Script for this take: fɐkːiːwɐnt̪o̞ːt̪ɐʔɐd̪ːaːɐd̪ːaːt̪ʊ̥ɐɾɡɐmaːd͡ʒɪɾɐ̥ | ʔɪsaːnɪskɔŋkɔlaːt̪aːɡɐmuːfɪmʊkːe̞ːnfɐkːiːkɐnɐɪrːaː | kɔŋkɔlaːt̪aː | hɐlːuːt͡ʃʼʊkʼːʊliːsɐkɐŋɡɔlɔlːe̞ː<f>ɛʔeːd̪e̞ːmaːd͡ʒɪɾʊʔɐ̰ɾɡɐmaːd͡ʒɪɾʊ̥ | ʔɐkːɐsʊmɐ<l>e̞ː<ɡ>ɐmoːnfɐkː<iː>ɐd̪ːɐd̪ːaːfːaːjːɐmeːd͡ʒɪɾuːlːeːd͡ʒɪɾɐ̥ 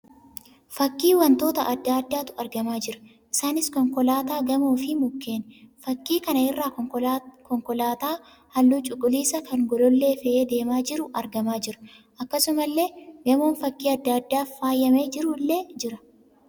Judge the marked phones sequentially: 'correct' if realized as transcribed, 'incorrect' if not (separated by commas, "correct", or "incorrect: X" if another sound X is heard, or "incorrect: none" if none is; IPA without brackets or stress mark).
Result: correct, incorrect: lː, correct, correct